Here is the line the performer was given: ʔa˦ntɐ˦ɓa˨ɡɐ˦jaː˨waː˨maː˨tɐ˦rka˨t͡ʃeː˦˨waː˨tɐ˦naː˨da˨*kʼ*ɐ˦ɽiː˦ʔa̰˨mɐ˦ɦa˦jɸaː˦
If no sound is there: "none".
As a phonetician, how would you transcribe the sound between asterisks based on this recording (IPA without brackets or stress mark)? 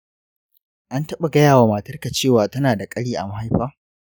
kʼ